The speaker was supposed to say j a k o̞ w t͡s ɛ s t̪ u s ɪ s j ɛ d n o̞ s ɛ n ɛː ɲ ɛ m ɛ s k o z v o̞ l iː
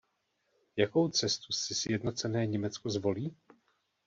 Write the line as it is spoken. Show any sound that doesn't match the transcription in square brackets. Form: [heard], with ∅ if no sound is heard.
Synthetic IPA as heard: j a k o̞ w t͡s ɛ s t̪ u s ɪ s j ɛ d n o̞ [t͡s] ɛ n ɛː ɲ ɛ m ɛ [t͡s] k o z v o̞ l iː